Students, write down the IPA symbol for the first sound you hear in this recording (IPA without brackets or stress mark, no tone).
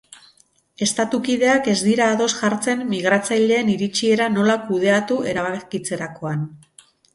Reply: e̞